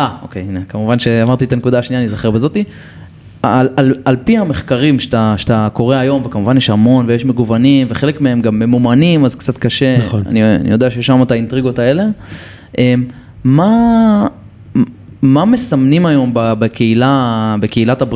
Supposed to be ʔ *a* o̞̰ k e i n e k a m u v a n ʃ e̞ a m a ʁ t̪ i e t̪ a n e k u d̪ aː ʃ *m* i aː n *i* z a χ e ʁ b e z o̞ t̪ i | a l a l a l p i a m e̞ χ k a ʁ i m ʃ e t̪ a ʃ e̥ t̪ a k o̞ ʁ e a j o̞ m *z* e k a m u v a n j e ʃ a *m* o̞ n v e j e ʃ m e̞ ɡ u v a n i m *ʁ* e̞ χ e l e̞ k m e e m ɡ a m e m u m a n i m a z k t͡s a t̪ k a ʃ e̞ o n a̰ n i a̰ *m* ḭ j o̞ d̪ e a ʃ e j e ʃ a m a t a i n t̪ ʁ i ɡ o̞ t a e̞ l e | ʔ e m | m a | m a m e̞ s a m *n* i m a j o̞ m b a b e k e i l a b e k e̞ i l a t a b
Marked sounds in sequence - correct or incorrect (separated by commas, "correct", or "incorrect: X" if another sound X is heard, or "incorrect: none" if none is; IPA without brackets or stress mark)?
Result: correct, incorrect: n, correct, incorrect: v, correct, incorrect: v, incorrect: n, correct